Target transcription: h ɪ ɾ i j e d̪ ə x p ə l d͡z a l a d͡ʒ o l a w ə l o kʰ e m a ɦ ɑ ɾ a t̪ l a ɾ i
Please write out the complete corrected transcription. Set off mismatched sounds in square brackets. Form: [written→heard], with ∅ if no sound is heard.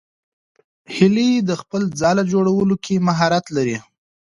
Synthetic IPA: h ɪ [ɾ→l] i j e d̪ ə x p ə l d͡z [a→ɑ] l a d͡ʒ o [l→ɽ] a w ə l o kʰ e m a ɦ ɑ ɾ a t̪ l a ɾ i